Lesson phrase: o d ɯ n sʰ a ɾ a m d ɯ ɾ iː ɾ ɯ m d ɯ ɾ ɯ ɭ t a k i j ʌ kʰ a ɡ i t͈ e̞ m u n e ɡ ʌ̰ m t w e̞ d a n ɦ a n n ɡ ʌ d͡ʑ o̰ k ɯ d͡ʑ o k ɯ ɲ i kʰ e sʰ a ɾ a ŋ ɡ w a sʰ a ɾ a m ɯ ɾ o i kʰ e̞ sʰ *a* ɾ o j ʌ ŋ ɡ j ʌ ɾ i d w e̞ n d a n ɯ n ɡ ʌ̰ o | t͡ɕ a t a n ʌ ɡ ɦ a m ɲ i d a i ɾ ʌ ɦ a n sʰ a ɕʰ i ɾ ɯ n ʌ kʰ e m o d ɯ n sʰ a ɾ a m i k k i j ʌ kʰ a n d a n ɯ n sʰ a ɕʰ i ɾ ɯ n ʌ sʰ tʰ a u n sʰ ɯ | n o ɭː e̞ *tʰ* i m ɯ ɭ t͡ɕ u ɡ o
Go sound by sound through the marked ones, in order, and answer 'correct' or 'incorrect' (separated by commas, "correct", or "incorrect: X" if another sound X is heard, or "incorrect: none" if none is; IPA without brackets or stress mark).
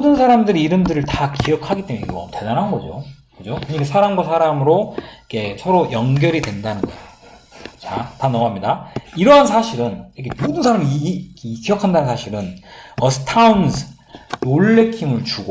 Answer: incorrect: ʌ, incorrect: kʰ